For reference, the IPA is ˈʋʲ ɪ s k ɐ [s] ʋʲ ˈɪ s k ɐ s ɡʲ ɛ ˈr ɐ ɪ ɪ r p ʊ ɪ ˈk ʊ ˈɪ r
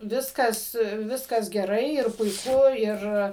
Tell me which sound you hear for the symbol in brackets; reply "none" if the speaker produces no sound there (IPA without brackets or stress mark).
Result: s